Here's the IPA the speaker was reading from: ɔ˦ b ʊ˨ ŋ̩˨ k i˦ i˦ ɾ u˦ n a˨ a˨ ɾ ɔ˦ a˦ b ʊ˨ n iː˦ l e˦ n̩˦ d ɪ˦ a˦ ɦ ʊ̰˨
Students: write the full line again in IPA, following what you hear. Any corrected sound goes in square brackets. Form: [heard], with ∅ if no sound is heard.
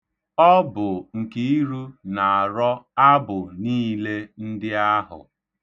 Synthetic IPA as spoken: ɔ˦ b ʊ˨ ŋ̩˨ k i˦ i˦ ɾ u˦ n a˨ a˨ ɾ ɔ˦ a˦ b ʊ˨ n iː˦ l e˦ n̩˦ d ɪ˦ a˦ ɦ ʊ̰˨